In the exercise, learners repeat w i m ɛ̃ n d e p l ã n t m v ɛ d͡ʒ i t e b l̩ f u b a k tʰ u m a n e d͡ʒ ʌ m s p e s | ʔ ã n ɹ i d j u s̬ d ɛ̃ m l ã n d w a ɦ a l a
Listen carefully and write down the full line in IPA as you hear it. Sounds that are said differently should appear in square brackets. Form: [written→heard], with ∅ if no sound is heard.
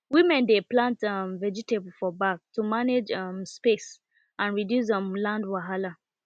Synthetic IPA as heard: w i m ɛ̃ n d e p l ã n t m v ɛ d͡ʒ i t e b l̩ f [u→ɔ] b a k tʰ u m a n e d͡ʒ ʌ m s p e s | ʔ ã n ɹ i d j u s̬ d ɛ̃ m l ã n d w a ɦ a l a

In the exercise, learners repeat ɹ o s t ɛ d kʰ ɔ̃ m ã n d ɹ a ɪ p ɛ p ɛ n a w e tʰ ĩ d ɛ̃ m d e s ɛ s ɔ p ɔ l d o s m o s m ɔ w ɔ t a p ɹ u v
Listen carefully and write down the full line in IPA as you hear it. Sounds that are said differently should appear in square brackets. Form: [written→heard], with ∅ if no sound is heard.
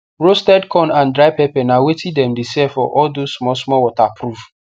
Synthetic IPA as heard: ɹ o s t ɛ d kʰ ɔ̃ [m→n] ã n d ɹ a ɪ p ɛ p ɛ n a w e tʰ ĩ d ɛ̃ m d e s ɛ [s→f] ɔ [p→ʔ] ɔ l d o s m [o→ɔ] s m ɔ w ɔ t a p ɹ u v

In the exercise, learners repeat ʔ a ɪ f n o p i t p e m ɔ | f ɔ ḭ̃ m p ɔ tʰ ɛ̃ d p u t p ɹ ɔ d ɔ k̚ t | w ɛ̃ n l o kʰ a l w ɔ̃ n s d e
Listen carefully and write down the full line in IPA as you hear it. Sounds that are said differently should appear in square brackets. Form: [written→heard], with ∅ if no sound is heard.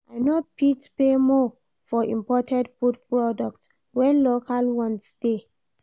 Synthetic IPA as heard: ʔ a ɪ [f→∅] n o p i t p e m ɔ | f ɔ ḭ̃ m p ɔ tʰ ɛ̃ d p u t p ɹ ɔ d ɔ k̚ t | w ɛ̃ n l o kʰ a l w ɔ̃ n s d e

